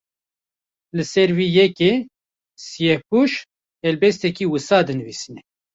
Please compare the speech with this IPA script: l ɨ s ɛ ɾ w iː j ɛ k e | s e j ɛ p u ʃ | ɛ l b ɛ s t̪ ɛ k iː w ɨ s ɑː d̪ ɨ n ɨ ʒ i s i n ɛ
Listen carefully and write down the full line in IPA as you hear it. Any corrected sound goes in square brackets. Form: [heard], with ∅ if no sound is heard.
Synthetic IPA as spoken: l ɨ s ɛ ɾ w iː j ɛ k e | s [i] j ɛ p u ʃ | ɛ l b ɛ s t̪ ɛ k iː w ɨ s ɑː d̪ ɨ n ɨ [v] i s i n ɛ